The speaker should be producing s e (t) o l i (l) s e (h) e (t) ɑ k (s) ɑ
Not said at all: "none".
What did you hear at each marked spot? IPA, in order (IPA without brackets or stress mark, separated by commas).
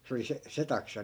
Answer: none, none, s, t, s